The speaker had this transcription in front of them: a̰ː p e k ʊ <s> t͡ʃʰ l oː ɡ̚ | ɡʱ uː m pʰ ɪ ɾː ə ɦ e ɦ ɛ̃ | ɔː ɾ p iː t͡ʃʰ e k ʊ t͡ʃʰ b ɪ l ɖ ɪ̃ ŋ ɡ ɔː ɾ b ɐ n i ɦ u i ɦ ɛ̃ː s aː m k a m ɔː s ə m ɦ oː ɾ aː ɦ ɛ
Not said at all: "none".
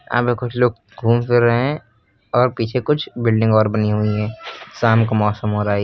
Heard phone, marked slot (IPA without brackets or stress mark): none